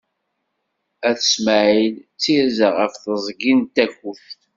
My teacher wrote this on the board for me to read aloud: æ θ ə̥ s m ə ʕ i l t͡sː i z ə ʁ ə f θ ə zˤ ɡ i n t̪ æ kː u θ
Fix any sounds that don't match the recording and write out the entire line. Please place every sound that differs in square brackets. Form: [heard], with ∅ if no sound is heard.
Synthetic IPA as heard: æ θ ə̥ s m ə ʕ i l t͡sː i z ə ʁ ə f θ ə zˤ ɡ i n t̪ æ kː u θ